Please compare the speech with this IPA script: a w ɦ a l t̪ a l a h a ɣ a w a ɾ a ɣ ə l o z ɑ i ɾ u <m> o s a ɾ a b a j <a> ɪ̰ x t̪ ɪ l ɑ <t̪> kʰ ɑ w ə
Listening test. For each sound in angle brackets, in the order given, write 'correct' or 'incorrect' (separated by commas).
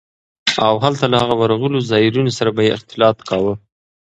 incorrect, incorrect, correct